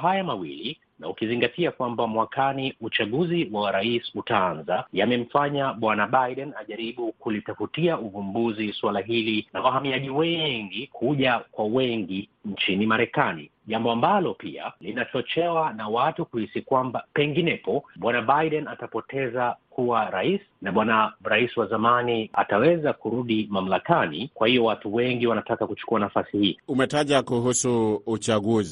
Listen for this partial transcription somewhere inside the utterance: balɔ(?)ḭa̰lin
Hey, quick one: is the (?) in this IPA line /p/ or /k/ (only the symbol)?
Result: p